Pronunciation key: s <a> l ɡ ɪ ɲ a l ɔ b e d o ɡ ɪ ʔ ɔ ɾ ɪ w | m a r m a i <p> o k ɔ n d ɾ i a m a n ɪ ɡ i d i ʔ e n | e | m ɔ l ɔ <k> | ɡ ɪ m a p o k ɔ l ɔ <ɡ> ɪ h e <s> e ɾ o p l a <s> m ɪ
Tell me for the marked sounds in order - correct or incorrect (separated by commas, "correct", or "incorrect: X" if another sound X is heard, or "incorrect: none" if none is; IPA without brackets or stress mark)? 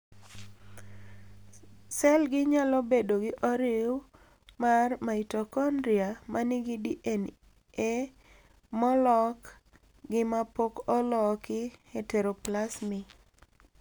incorrect: ɛ, incorrect: t, correct, incorrect: k, incorrect: t, correct